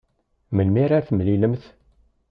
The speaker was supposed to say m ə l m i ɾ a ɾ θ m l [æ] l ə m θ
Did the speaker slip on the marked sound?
yes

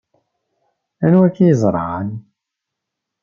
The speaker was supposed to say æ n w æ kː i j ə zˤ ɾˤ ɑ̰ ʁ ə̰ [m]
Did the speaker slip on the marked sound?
yes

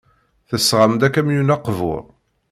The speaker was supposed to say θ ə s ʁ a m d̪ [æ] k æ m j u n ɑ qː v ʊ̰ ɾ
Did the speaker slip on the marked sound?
no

